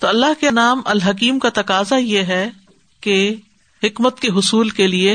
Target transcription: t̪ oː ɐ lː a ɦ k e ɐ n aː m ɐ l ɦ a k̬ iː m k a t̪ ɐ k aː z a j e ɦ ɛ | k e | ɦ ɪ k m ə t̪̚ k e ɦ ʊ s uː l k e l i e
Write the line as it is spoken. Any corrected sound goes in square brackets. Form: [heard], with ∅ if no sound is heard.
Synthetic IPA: t̪ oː ɐ lː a ɦ k e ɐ n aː m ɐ l ɦ [ɐ] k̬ iː m k a t̪ ɐ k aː z a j e ɦ ɛ | k e | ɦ ɪ k m ə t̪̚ k e ɦ ʊ s uː l k e l i e